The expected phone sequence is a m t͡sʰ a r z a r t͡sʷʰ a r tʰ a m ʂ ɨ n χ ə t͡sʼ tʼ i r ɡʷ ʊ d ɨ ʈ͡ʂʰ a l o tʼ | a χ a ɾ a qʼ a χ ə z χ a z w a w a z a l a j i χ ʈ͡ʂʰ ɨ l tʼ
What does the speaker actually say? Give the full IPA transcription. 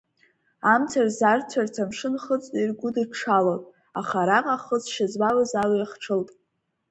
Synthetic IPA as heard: a m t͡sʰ a r z a r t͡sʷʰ a r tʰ a m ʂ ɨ n χ ə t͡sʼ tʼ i r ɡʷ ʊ d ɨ ʈ͡ʂʰ a l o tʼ | a χ a ɾ a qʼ a χ ə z ʃ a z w a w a z a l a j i χ ʈ͡ʂʰ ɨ l tʼ